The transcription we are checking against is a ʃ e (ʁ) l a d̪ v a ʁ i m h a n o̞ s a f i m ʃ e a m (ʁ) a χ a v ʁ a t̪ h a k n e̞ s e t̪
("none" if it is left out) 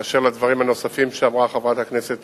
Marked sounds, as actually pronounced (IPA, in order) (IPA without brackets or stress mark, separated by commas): ʁ, ʁ